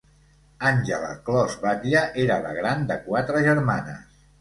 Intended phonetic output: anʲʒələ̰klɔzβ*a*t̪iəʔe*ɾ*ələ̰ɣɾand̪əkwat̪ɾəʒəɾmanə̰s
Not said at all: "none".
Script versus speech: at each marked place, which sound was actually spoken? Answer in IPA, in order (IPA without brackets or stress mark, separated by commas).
a, ɾ